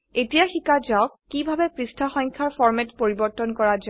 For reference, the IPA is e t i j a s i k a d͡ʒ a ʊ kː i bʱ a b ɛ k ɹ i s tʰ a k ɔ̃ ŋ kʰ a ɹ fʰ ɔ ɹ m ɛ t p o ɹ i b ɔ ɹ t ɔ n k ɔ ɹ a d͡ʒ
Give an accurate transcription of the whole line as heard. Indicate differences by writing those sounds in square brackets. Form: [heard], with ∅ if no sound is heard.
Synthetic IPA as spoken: e t i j a [x] i k a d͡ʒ a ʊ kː i bʱ a b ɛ [p] ɹ i s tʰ a [x] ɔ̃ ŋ kʰ a ɹ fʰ ɔ ɹ m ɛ t p o ɹ i b ɔ ɹ t ɔ n k ɔ ɹ a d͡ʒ